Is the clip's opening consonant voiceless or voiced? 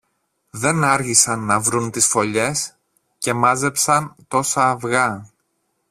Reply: voiced